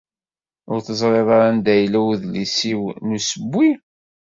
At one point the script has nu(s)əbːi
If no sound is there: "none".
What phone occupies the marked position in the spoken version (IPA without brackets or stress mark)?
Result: s